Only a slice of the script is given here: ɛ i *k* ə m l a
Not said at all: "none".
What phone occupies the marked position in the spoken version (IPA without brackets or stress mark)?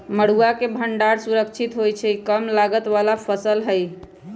k